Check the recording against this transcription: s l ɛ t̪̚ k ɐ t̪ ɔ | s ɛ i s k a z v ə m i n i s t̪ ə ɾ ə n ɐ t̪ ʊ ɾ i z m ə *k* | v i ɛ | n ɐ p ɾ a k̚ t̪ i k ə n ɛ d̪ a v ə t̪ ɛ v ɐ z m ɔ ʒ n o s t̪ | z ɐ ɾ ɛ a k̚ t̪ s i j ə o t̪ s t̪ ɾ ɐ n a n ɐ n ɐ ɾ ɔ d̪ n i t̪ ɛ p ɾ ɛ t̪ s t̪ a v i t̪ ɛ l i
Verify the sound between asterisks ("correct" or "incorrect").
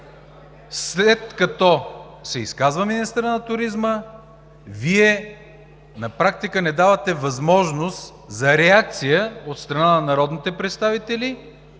incorrect